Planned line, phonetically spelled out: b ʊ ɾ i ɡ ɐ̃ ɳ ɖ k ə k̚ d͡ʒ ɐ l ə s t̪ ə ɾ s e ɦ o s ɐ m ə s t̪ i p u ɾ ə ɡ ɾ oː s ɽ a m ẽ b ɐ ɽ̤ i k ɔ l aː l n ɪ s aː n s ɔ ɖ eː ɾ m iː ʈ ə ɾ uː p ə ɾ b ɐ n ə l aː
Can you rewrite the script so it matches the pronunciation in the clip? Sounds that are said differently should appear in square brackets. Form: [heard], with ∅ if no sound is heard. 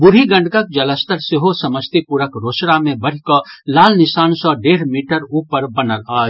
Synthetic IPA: b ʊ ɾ i ɡ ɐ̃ ɳ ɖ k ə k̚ d͡ʒ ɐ l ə s t̪ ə ɾ s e ɦ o s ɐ m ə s t̪ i p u ɾ ə [k] ɾ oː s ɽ a m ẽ b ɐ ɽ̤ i k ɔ l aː l n ɪ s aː n s ɔ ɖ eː ɾ m iː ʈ ə ɾ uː p ə ɾ b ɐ n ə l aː

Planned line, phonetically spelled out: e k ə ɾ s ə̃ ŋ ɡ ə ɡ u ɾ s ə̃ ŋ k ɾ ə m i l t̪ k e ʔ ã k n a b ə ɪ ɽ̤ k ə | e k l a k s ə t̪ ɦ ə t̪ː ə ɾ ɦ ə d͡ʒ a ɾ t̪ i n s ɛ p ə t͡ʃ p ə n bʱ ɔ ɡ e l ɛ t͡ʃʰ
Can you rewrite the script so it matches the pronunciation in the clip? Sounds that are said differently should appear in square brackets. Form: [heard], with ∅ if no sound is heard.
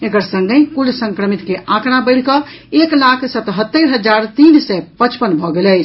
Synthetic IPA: e k ə ɾ s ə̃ ŋ ɡ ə [k] u [l] s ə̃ ŋ k ɾ ə m i [∅] t̪ k e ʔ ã k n a b ə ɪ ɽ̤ k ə | e k l a [kʰ] s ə t̪ ɦ ə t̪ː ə ɾ ɦ ə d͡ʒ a ɾ t̪ i n s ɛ p ə t͡ʃ p ə n bʱ ɔ ɡ e l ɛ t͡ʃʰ

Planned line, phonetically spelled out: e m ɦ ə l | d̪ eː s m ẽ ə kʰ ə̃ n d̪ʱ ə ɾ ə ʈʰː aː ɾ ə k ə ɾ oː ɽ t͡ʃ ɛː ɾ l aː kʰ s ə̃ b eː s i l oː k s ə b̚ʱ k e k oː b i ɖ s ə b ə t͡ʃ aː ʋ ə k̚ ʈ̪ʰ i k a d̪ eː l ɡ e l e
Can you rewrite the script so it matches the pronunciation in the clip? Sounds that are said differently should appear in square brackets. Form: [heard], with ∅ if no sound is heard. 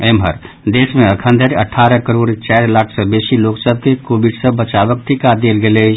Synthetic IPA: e m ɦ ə [ɾ] | d̪ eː s m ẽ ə kʰ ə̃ n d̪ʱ ə ɾ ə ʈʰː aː ɾ ə k ə ɾ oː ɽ t͡ʃ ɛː ɾ l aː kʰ s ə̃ b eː s i l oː k s ə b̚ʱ k e k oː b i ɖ s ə b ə t͡ʃ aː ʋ ə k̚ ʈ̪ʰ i k a d̪ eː l ɡ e l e

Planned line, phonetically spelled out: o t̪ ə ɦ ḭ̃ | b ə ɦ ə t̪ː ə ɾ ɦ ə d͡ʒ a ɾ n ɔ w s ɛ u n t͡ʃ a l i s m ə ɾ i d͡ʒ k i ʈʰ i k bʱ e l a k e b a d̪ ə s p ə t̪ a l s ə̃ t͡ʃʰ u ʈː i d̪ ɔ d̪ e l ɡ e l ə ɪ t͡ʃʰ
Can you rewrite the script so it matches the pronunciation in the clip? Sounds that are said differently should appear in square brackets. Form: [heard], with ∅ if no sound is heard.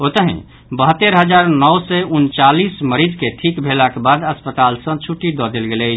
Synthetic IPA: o t̪ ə ɦ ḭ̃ | b ə ɦ ə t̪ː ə ɾ ɦ ə d͡ʒ a ɾ n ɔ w s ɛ u n t͡ʃ a l i s m ə ɾ i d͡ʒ k [e] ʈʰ i k bʱ e l a k e b a d̪ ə s p ə t̪ a l s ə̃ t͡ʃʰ u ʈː i d̪ ɔ d̪ e l ɡ e l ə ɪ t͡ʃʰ

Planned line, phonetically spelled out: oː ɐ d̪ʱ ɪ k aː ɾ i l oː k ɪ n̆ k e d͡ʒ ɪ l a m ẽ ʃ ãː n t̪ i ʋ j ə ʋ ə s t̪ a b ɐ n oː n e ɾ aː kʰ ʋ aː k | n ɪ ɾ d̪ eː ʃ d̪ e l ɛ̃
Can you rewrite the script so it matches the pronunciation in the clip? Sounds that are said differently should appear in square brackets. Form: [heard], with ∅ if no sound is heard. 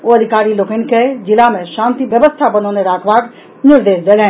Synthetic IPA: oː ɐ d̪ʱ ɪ k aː ɾ i l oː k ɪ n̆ k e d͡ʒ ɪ l a m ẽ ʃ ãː n t̪ i ʋ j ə ʋ ə s [t̪ʰ] a b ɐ n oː n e ɾ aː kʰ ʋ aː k | n ɪ ɾ d̪ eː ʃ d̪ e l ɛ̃

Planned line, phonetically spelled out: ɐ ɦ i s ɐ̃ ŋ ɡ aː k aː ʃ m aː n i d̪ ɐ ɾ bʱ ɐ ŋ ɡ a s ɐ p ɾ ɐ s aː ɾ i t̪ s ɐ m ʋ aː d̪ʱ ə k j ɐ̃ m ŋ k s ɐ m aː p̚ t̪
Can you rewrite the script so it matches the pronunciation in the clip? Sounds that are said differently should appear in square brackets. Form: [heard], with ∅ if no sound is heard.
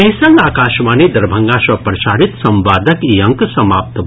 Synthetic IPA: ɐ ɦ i s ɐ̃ ŋ ɡ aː k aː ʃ m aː n i d̪ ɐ ɾ bʱ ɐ ŋ ɡ a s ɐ p ɾ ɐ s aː ɾ i t̪ s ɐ m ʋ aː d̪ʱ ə k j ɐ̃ [∅] ŋ k s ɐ m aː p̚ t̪

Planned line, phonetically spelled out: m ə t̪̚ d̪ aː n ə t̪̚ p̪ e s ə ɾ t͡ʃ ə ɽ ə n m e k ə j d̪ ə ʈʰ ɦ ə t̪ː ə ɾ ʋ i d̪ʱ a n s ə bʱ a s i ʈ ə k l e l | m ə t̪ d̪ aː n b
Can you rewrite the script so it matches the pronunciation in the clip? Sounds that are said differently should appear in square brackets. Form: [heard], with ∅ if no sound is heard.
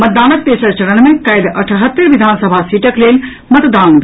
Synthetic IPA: m ə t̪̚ d̪ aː n ə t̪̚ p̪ e s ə ɾ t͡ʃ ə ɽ ə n m e k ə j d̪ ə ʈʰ ɦ ə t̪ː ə ɾ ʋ i d̪ʱ a n s ə bʱ a s i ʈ ə k l e l | m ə t̪ d̪ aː n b

